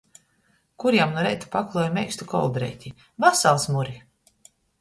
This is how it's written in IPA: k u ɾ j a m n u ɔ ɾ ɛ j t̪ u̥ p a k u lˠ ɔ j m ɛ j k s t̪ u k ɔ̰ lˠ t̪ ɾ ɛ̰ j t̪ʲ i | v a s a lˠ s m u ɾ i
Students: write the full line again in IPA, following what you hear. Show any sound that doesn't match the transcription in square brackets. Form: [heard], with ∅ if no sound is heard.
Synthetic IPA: k u ɾ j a m n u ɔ ɾ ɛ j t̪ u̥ p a k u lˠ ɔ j m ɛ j k s t̪ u k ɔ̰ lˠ [d̪] ɾ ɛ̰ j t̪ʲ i | v a s a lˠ s m u ɾ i